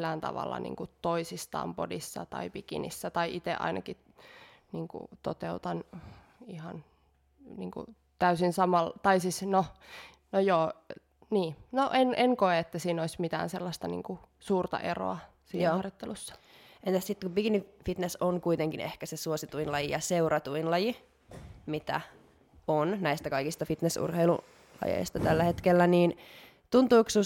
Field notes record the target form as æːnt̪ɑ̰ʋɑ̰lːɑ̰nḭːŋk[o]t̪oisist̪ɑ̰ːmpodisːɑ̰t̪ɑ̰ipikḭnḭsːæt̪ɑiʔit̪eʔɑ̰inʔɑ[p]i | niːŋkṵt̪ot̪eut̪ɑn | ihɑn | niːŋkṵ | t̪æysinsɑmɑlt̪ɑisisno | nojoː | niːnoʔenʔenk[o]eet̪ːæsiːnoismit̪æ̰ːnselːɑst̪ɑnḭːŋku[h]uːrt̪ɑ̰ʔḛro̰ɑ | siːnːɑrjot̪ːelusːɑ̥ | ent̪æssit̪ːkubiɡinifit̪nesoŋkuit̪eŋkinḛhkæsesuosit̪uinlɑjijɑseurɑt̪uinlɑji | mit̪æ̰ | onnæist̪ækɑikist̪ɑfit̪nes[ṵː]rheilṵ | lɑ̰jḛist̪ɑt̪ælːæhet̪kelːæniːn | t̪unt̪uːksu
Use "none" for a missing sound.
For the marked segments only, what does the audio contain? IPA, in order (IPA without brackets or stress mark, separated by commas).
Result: u, k, o, s, ṵ